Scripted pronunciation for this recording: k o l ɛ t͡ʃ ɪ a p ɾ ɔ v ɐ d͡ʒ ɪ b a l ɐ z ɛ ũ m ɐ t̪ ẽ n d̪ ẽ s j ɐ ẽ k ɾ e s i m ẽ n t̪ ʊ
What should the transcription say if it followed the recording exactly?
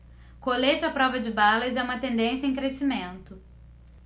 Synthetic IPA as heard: k o l e t͡ʃ ɪ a p ɾ ɔ v ɐ d͡ʒ ɪ b a l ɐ z ɛ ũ m ɐ t̪ ẽ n d̪ ẽ s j ɐ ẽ k ɾ e s i m ẽ n t̪ ʊ